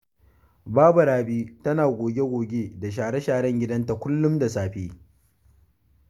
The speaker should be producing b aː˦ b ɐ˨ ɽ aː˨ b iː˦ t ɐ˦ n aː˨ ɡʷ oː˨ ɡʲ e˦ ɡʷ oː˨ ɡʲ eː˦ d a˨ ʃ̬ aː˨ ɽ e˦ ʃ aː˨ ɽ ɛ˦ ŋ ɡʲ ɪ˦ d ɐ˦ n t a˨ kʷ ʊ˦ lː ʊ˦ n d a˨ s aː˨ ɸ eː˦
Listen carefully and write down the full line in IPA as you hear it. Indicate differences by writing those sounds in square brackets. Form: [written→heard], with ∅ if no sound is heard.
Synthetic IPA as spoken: b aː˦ b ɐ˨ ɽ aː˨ b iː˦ t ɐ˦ n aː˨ ɡʷ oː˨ ɡʲ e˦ ɡʷ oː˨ ɡʲ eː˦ d a˨ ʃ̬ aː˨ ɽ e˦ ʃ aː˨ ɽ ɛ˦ ŋ ɡʲ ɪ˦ d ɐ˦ n t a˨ kʷ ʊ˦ lː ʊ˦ [n→m] d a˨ s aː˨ ɸ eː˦